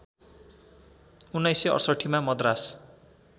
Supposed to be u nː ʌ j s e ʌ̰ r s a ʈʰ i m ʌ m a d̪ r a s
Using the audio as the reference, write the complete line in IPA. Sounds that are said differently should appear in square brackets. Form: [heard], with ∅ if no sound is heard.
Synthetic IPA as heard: u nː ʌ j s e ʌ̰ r s [ʌ] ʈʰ i m [a] m [ʌ] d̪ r a s